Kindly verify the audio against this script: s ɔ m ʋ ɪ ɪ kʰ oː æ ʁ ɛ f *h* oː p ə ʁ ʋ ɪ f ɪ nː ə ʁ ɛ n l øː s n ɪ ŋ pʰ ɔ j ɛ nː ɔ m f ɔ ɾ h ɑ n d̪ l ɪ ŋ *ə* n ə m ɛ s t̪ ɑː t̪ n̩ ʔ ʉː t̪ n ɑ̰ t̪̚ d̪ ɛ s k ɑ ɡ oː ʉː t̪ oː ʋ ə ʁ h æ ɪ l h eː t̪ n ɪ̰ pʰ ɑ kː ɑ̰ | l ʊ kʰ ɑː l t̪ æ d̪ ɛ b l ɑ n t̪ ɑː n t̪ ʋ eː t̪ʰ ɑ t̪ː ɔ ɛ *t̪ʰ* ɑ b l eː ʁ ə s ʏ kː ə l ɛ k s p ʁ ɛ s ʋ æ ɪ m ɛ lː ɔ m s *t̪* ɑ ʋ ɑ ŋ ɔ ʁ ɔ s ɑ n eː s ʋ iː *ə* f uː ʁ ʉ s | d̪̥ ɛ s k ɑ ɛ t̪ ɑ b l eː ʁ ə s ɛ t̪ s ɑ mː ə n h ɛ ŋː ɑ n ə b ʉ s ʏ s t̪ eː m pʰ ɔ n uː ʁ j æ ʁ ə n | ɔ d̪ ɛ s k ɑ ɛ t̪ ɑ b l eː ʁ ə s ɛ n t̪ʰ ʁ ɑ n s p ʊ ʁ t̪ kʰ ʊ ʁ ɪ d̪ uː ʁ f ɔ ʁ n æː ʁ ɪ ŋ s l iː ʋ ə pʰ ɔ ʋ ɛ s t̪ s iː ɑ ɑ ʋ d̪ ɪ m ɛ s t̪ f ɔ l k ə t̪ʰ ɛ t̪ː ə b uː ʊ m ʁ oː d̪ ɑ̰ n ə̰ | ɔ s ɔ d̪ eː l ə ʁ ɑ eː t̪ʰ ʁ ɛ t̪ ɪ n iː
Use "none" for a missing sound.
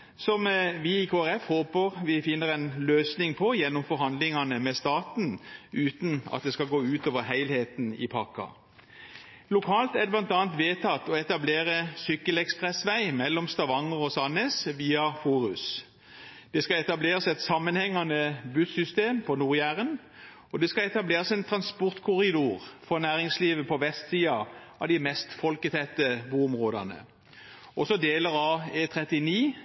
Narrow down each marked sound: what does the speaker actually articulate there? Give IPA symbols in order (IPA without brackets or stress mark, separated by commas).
h, ɑ, t̪, t̪, ɑ